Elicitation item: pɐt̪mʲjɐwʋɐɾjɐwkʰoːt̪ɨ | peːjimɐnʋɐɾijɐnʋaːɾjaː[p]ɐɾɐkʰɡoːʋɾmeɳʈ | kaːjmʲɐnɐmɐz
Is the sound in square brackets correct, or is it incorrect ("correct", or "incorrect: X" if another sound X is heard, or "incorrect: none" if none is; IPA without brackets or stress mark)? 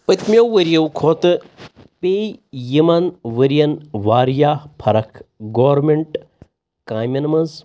incorrect: pʰ